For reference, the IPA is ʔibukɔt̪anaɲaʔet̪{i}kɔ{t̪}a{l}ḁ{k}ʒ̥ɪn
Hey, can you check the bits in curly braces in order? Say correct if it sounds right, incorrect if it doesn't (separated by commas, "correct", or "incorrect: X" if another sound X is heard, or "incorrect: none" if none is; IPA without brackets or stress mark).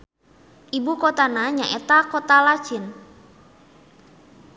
incorrect: a, correct, correct, incorrect: none